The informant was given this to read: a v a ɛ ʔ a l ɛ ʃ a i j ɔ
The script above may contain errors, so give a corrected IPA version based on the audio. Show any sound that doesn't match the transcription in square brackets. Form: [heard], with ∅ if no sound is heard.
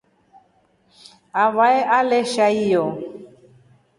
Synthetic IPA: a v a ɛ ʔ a l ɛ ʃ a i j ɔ